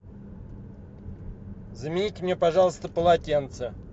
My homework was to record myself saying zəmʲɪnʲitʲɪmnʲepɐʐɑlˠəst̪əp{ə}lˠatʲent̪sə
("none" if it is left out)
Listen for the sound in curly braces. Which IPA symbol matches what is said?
ə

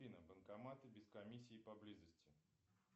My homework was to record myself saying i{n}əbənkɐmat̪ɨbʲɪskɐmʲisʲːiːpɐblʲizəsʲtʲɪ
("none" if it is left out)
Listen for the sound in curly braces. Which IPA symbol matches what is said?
n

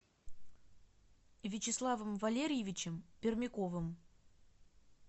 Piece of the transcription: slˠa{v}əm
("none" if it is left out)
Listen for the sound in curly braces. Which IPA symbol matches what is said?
v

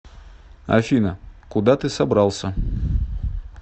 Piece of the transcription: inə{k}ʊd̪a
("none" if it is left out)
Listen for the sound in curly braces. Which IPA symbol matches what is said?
k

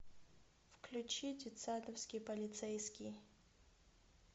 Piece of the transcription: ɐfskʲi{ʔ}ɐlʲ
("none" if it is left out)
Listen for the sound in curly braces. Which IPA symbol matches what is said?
p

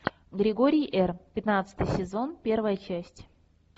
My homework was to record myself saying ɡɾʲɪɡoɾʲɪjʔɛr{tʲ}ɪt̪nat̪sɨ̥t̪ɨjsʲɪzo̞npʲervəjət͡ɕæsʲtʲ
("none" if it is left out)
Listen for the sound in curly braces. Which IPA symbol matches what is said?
pʲ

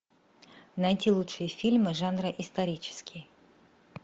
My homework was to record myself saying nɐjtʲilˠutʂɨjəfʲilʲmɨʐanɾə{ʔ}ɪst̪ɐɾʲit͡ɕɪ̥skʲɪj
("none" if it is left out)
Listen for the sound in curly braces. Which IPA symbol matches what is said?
ʔ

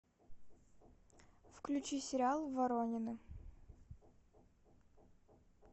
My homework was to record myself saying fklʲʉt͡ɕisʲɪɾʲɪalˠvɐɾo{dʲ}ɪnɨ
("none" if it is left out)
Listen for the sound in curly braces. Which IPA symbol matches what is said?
nʲ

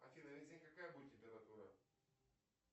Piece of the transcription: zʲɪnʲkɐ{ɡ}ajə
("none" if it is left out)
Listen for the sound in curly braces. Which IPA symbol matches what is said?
k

